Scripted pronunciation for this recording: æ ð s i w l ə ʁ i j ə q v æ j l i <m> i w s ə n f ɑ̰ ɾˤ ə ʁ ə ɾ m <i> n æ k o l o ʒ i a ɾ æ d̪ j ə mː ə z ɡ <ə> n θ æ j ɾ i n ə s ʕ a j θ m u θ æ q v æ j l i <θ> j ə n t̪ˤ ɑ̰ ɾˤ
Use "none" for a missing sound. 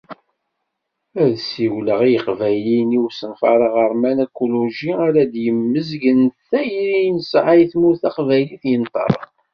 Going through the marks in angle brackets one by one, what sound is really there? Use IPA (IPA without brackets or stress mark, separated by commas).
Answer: n, æ, ə, θ